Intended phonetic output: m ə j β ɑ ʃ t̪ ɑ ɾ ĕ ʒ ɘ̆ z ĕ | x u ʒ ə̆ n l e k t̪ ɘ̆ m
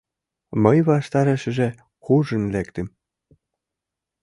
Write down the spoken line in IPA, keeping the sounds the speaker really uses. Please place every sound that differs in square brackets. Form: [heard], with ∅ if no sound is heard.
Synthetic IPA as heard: m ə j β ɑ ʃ t̪ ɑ ɾ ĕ [ʃ] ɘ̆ [ʒ] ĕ | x u ʒ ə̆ n l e k t̪ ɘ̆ m